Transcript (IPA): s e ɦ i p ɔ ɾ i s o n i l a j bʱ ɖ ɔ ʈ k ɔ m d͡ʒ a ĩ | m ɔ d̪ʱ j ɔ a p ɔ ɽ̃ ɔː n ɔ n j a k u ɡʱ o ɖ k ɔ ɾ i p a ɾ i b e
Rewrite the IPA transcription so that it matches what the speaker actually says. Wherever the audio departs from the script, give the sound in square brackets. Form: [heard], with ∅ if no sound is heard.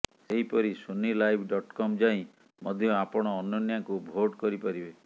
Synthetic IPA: s e ɦ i p ɔ ɾ i s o n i l a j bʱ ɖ ɔ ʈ k ɔ m d͡ʒ a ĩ | m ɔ d̪ʱ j ɔ a p ɔ ɽ̃ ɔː n ɔ n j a k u [bʱ] o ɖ k ɔ ɾ i p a ɾ i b e